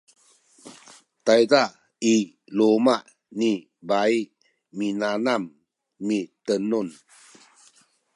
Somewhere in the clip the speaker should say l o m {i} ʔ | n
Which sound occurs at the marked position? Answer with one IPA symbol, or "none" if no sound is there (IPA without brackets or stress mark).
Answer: a